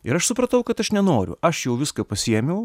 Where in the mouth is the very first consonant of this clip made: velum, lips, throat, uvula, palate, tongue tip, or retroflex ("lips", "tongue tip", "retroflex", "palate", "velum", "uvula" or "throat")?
tongue tip